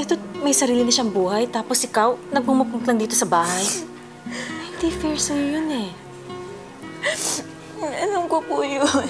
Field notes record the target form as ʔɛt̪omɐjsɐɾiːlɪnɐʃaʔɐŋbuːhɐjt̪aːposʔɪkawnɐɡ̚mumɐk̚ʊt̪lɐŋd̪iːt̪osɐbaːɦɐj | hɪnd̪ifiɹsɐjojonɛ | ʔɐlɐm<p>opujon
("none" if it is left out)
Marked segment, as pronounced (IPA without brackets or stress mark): k